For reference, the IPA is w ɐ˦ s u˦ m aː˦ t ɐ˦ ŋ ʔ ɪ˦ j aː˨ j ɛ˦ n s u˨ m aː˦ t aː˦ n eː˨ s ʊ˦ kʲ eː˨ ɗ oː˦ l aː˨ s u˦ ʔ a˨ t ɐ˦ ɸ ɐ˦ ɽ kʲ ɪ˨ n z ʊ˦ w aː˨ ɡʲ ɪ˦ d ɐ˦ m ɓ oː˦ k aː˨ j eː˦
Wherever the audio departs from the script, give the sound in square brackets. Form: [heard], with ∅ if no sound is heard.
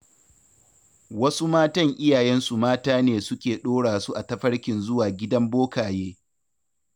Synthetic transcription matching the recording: w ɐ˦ s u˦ m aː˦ t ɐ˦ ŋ ʔ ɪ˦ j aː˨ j ɛ˦ n s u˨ m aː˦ t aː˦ n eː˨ s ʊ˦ kʲ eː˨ ɗ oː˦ [ɽ] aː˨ s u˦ ʔ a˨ t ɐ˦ ɸ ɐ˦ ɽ kʲ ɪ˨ n z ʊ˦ w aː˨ ɡʲ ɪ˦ d ɐ˦ m [b] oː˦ k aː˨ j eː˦